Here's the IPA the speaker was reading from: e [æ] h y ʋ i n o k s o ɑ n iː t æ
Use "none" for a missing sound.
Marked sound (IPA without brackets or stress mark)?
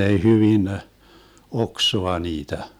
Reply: i